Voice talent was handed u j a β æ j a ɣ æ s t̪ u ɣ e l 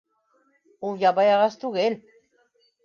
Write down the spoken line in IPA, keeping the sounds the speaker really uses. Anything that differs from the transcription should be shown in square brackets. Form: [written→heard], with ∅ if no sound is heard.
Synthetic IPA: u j a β [æ→a] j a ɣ [æ→a] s t̪ u ɣ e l